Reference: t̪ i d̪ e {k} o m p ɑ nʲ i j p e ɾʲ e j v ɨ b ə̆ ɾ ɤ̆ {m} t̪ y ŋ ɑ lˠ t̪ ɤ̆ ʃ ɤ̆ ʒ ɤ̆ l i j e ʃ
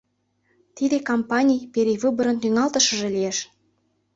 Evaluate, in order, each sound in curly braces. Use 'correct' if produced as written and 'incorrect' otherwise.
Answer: correct, incorrect: n

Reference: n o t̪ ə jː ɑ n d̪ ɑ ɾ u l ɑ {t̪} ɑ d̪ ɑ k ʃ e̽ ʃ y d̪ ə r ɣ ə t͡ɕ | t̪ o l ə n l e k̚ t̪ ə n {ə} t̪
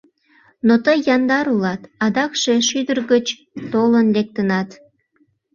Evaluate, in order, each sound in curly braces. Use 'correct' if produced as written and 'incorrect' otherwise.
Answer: correct, incorrect: ɑ

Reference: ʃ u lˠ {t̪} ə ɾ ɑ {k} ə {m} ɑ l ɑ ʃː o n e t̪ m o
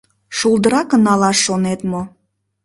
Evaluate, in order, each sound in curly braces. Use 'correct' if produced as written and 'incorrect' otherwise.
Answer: incorrect: d̪, correct, incorrect: n

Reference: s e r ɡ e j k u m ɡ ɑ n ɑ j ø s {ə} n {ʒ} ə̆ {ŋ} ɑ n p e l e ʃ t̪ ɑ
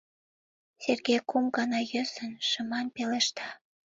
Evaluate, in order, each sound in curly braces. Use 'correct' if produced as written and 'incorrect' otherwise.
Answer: correct, incorrect: ʃ, incorrect: m

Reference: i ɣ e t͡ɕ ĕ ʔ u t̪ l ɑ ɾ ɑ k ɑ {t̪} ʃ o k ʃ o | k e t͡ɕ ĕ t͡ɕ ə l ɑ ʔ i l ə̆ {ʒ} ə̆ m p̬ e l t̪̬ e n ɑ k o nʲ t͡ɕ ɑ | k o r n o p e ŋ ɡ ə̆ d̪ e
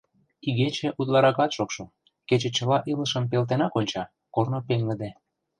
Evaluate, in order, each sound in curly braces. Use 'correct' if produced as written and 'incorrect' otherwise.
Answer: correct, incorrect: ʃ

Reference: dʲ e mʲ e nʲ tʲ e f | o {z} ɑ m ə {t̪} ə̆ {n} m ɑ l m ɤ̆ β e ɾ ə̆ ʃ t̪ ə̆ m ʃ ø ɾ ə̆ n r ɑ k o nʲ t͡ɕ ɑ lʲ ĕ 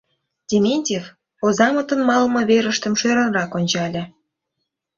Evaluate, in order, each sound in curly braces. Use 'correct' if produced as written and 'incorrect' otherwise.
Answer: correct, correct, correct

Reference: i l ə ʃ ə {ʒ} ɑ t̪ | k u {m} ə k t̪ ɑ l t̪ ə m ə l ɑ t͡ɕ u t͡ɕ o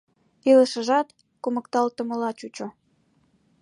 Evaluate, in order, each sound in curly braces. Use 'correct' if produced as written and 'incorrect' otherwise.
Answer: correct, correct

